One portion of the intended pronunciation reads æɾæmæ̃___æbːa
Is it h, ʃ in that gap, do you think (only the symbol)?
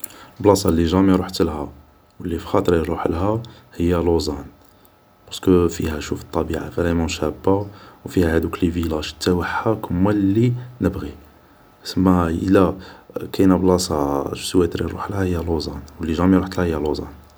ʃ